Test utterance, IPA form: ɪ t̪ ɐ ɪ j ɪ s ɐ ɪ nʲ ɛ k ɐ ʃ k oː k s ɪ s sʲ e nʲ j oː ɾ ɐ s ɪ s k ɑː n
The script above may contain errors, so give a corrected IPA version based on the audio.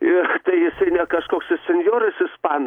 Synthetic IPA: ɪ t̪ ɐ ɪ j ɪ s ɐ ɪ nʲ ɛ k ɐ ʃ k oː k s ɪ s sʲ ɛ nʲ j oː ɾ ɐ s ɪ s p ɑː n